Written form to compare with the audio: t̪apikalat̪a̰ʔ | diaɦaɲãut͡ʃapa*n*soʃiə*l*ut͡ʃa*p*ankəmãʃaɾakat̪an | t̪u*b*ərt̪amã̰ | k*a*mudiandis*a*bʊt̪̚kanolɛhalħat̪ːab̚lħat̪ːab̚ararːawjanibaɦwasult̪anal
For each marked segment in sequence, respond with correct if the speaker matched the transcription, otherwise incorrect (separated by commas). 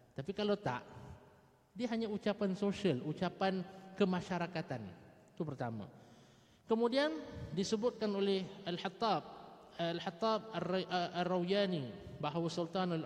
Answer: correct, correct, correct, incorrect, incorrect, incorrect